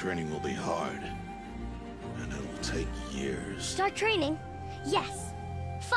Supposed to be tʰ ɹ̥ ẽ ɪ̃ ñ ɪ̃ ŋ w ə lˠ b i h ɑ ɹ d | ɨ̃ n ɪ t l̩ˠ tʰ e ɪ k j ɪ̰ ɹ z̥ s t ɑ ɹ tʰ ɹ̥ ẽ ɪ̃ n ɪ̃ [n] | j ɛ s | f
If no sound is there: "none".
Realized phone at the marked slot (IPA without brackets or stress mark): ŋ